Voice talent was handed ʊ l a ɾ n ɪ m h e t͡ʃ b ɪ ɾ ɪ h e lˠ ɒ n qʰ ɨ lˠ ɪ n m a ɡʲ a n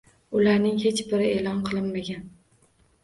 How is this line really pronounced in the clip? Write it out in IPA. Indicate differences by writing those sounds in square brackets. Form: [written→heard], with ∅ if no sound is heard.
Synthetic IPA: ʊ l a ɾ n ɪ [m→ŋ] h e t͡ʃ b ɪ ɾ ɪ [h→∅] e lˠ ɒ n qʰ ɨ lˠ ɪ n m a ɡʲ a n